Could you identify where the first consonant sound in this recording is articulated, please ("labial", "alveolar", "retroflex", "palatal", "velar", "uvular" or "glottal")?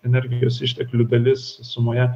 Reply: alveolar